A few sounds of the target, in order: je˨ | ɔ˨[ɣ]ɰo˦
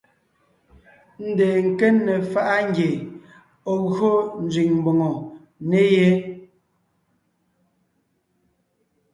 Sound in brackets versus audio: correct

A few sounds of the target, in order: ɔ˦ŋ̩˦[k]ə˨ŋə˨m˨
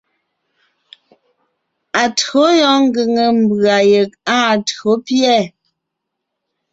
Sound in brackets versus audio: incorrect: ɡ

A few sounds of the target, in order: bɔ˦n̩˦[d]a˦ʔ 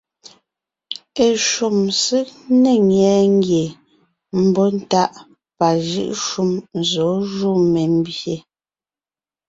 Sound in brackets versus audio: incorrect: t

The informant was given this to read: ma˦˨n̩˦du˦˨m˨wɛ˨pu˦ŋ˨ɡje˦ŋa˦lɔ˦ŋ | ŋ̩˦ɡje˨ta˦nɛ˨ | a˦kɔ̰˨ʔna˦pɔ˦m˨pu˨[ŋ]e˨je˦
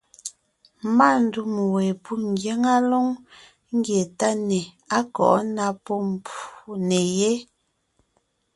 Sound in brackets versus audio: incorrect: n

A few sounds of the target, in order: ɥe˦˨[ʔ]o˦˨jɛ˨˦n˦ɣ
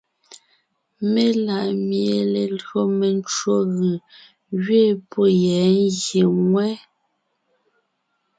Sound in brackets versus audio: incorrect: p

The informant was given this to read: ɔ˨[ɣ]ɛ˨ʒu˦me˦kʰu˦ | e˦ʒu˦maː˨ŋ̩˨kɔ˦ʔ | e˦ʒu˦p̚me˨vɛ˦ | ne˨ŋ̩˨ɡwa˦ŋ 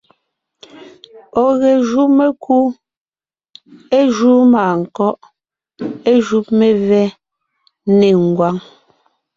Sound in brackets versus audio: correct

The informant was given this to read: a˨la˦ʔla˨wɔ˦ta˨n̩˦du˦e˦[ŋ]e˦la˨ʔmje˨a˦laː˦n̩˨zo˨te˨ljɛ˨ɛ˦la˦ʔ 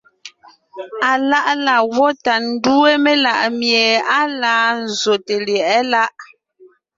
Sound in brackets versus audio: incorrect: m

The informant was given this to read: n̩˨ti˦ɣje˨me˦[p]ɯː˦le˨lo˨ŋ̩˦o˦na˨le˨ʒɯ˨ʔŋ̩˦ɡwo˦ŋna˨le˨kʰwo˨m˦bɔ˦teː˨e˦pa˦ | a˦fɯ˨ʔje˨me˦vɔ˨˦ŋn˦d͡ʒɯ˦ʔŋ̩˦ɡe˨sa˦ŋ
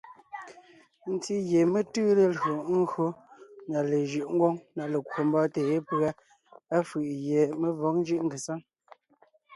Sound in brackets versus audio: incorrect: t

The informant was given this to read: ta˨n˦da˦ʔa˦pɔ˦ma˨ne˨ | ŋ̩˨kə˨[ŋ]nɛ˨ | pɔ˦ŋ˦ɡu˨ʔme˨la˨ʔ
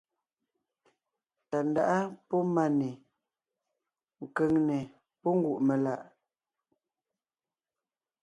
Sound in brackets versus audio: correct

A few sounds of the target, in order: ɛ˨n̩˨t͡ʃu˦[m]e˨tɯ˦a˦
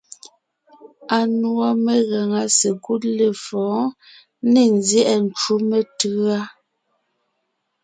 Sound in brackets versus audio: correct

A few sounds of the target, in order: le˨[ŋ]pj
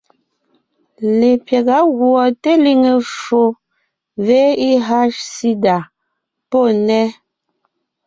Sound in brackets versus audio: incorrect: none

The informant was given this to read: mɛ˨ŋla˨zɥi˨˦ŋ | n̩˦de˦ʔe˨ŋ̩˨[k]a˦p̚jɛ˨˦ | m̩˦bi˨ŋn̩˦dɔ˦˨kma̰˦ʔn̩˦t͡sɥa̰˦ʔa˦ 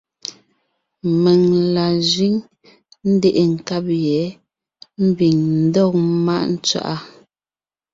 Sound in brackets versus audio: correct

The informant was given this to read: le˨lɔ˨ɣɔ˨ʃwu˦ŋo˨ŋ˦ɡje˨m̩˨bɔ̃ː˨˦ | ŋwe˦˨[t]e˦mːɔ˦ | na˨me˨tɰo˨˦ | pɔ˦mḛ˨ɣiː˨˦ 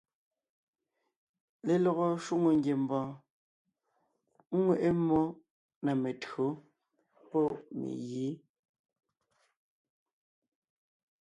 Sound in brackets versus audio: incorrect: ʔ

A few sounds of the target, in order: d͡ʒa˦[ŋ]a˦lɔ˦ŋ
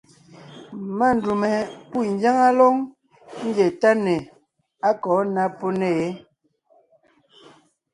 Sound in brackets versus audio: correct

